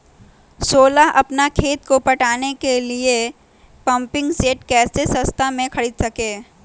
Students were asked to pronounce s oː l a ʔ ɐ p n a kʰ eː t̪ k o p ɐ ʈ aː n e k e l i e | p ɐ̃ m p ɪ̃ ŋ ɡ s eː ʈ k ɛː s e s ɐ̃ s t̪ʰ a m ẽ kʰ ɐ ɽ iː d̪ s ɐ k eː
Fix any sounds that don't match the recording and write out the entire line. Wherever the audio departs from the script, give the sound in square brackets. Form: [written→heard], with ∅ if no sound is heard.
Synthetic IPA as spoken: s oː l a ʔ ɐ p n a kʰ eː t̪ k o p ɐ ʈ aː n e k e l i e | p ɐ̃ m p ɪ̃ ŋ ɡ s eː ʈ k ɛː s e s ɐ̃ s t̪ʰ a m ẽ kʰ ɐ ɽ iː d̪ s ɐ k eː